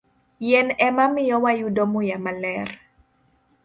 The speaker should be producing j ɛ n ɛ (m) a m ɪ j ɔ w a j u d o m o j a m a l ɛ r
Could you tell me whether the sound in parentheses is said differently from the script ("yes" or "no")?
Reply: no